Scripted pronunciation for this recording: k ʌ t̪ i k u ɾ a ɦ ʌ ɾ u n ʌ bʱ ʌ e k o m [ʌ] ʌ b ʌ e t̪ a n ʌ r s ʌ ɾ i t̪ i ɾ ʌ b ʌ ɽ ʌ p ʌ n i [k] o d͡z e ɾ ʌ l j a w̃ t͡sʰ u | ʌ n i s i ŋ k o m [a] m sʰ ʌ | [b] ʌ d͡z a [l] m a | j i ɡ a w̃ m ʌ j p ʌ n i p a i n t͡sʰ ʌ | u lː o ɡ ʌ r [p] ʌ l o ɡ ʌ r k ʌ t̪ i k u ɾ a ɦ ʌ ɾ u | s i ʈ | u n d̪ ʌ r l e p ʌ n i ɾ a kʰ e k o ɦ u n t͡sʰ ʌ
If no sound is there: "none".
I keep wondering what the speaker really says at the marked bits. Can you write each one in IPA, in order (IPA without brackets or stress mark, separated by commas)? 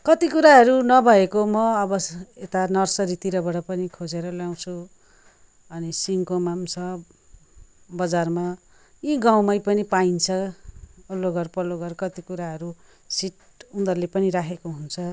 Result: ʌ, kʰ, a, b, r, p